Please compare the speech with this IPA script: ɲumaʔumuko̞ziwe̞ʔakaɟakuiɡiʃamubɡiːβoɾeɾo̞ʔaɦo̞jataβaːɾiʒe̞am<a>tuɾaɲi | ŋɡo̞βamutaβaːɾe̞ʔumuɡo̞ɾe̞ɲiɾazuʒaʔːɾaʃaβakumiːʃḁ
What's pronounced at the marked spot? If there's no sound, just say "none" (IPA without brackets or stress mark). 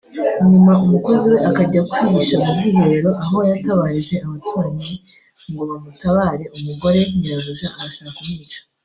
a